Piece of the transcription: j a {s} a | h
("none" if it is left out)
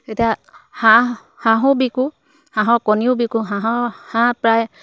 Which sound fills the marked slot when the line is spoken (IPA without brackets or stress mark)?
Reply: h